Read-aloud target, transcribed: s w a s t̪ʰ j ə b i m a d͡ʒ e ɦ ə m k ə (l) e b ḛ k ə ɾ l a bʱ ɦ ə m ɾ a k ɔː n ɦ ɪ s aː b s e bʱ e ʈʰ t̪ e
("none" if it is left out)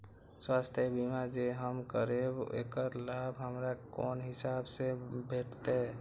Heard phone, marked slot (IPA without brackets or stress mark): ɾ